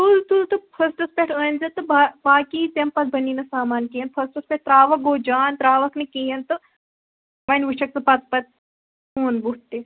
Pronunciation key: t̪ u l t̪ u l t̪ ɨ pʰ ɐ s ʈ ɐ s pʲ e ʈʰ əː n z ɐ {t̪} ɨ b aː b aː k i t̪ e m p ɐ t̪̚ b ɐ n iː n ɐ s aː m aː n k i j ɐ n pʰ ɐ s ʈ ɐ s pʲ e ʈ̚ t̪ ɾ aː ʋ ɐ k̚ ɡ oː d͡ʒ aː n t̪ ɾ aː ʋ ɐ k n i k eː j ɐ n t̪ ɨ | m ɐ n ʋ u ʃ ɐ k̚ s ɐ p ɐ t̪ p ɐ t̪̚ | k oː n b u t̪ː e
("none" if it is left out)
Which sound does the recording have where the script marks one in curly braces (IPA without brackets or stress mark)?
t̪